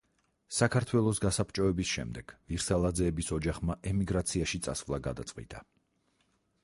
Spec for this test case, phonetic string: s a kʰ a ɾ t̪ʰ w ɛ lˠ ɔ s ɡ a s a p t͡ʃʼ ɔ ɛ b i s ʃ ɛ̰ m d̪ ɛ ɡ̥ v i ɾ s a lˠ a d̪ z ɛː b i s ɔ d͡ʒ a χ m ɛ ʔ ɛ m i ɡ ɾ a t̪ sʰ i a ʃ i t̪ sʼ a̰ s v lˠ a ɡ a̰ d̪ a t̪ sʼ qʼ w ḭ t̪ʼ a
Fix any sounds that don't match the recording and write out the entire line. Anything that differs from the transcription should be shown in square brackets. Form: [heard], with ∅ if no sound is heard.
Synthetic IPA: s a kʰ a ɾ t̪ʰ w ɛ lˠ ɔ s ɡ a s a p t͡ʃʼ ɔ ɛ b i s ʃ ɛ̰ m d̪ ɛ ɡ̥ v i ɾ s a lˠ a d̪ z ɛː b i s ɔ d͡ʒ a χ m [a] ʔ ɛ m i ɡ ɾ a t̪ sʰ i a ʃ i t̪ sʼ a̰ s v lˠ a ɡ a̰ d̪ a t̪ sʼ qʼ w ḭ t̪ʼ a